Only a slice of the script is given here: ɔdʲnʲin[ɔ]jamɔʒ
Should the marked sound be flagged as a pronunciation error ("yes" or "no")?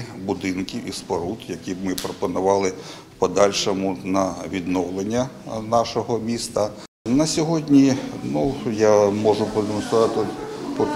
yes